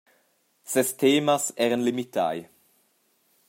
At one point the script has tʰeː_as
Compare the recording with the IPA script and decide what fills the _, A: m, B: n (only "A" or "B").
A